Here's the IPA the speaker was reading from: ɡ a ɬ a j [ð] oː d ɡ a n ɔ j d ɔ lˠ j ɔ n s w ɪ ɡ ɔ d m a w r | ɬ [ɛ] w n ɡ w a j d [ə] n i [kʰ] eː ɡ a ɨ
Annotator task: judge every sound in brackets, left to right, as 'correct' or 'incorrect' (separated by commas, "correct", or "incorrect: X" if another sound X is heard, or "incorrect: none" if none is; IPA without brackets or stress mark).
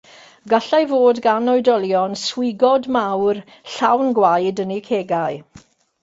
incorrect: v, incorrect: a, correct, correct